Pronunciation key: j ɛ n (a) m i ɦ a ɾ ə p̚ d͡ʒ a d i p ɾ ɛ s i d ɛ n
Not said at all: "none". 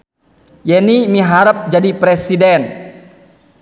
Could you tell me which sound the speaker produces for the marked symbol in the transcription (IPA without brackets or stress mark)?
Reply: i